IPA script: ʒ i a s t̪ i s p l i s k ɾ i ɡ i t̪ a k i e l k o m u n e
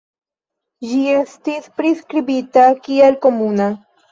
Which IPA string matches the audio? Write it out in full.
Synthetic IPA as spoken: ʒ i e s t̪ i s p ɾ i s k ɾ i b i t̪ a k i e l k o m u n a